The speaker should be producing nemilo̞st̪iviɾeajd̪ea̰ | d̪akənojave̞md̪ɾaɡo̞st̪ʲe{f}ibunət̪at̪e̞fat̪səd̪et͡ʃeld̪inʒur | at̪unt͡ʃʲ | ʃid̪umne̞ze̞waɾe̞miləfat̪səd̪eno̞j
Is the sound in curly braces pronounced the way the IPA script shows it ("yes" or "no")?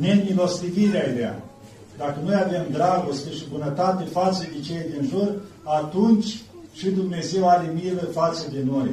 no